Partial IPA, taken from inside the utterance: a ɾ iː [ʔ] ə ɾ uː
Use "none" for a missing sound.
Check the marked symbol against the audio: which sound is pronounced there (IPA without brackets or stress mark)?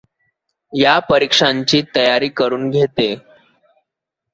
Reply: k